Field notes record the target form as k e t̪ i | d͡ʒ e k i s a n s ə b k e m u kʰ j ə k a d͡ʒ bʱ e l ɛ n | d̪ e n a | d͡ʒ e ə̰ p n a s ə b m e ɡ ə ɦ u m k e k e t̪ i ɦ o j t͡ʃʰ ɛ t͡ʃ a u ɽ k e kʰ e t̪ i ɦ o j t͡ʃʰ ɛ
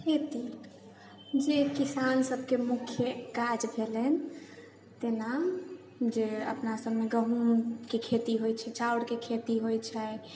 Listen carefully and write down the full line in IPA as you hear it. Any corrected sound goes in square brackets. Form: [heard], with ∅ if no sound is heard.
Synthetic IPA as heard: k e t̪ i | d͡ʒ e k i s a n s ə b k e m u kʰ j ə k a d͡ʒ bʱ e l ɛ n | [t̪] e n a | d͡ʒ e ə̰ p n a s ə b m e ɡ ə ɦ u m k e [kʰ] e t̪ i ɦ o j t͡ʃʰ ɛ t͡ʃ a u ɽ k e kʰ e t̪ i ɦ o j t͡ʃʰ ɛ